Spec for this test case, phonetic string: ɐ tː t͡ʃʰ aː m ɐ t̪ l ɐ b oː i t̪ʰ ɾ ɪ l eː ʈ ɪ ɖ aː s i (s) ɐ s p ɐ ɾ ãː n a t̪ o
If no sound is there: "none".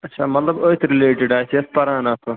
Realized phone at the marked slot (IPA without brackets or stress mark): none